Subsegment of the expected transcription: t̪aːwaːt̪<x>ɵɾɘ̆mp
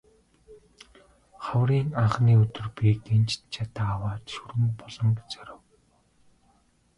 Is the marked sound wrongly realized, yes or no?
yes